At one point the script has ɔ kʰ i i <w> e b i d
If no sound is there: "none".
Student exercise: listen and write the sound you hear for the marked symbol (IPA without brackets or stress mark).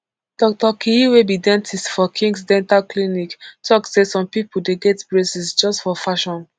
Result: w